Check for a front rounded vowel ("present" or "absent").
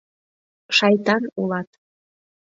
absent